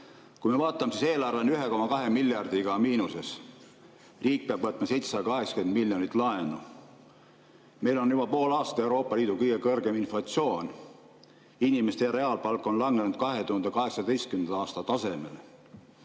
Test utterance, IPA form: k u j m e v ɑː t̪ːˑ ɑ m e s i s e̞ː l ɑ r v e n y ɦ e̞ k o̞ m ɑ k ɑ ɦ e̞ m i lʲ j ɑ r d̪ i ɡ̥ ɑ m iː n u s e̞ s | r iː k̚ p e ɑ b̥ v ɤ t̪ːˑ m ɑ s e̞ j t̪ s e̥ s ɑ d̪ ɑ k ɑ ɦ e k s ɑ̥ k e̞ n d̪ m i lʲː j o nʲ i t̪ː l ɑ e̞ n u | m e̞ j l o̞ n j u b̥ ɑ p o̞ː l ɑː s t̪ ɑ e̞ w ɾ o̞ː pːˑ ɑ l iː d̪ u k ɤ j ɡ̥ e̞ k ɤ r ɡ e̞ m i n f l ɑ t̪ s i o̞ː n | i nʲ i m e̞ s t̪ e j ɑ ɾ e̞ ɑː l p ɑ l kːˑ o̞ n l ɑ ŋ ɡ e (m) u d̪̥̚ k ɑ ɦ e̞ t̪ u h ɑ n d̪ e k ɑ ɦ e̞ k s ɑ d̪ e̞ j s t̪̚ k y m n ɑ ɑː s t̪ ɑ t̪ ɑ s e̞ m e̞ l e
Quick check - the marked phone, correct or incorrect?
incorrect